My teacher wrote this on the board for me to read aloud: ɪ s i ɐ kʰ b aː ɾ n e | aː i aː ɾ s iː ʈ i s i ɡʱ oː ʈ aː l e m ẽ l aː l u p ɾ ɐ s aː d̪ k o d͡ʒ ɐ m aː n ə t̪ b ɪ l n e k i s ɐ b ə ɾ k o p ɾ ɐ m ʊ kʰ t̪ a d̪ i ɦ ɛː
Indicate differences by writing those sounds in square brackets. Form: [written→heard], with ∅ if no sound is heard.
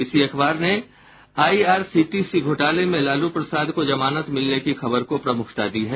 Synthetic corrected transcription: ɪ s i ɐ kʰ b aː ɾ n e | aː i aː ɾ s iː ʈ i s i ɡʱ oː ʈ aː l e m ẽ l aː l u p ɾ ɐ s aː d̪ k o d͡ʒ ɐ m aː n ə t̪ [b→m] ɪ l n e k i [s→x] ɐ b ə ɾ k o p ɾ ɐ m ʊ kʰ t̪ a d̪ i ɦ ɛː